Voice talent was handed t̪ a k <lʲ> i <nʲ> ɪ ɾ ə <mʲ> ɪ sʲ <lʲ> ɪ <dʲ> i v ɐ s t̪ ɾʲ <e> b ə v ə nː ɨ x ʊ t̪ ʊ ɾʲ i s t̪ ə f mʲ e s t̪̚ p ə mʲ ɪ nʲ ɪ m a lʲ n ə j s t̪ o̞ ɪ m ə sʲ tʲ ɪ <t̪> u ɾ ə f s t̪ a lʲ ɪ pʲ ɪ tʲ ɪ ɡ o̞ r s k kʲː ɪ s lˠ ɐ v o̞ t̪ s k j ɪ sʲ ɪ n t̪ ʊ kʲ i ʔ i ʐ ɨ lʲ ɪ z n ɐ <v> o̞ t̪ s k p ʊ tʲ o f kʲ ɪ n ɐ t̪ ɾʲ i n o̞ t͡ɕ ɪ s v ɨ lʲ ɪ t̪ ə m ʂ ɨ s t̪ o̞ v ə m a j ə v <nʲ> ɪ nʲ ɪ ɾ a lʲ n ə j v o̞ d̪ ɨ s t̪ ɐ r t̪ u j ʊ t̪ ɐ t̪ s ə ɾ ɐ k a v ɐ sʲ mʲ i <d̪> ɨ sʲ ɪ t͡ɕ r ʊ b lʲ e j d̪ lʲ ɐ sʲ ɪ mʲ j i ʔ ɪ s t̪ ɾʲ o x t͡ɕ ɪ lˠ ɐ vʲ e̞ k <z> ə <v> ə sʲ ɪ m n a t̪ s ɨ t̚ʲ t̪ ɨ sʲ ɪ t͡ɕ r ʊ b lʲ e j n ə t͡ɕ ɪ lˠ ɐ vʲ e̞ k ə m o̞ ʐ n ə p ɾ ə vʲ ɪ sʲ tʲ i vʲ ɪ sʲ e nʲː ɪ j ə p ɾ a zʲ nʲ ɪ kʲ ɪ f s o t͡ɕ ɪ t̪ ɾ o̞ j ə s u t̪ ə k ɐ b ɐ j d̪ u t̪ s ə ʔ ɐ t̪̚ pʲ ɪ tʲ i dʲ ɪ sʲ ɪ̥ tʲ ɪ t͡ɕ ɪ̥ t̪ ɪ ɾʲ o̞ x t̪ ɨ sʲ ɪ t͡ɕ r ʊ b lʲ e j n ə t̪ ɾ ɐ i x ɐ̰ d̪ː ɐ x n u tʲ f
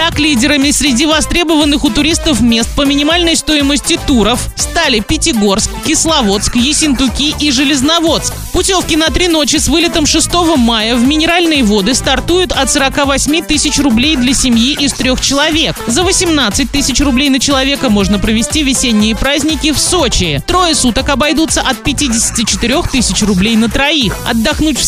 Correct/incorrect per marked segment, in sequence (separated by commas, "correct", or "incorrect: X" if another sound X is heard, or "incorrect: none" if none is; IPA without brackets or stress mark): correct, incorrect: dʲ, correct, incorrect: ɾʲ, correct, correct, correct, correct, incorrect: mʲ, incorrect: t̪, correct, correct